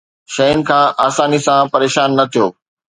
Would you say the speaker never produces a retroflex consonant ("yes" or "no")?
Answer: yes